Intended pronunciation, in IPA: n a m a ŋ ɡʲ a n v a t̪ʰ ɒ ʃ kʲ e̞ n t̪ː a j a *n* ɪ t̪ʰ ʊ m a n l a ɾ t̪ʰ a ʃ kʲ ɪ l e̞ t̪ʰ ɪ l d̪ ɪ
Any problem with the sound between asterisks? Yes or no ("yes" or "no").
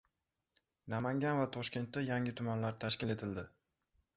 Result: yes